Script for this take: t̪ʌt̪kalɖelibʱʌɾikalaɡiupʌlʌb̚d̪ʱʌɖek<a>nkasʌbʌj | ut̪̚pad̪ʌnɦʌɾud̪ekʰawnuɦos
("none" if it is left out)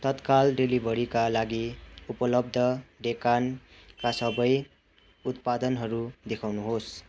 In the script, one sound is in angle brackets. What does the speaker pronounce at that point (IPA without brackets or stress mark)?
a